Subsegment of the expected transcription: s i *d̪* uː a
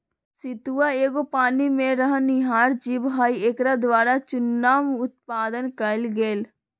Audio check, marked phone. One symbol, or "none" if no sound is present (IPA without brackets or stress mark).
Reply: t̪